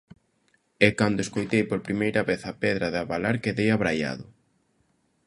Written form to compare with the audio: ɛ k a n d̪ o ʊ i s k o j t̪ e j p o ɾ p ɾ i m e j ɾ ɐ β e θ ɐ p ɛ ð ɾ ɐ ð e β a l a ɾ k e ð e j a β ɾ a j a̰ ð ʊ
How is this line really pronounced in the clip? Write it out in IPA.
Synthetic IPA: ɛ k a n d̪ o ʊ e s k o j t̪ e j p o ɾ p ɾ i m e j ɾ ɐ β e θ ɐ p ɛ ð ɾ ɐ ð a β a l a ɾ k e ð e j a β ɾ a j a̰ ð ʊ